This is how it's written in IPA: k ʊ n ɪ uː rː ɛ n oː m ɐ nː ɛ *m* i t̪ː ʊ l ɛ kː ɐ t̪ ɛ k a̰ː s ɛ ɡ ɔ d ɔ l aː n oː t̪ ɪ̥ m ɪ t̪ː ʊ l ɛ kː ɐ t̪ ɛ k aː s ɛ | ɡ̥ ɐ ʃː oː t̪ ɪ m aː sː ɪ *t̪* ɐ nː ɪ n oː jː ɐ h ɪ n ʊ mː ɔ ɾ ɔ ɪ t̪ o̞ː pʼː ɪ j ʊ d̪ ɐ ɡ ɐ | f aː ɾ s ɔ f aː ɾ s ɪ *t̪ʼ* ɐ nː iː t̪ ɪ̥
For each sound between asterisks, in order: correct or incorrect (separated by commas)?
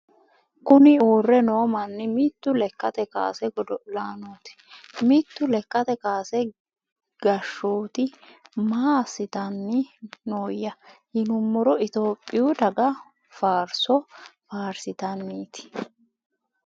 correct, correct, incorrect